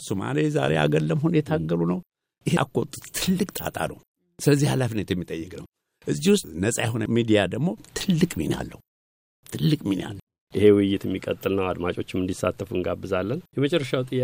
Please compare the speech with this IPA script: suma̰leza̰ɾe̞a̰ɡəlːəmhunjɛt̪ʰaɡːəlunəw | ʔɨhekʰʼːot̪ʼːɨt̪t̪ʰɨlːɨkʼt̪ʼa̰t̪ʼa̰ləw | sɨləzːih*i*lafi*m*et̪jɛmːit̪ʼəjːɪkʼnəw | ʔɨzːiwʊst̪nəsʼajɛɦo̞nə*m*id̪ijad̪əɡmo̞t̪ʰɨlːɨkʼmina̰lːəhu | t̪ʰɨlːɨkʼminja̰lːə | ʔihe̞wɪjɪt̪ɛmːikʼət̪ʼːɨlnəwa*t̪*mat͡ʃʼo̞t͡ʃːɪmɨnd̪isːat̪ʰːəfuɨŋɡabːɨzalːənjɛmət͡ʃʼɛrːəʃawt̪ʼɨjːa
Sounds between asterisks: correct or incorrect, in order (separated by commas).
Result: incorrect, incorrect, correct, incorrect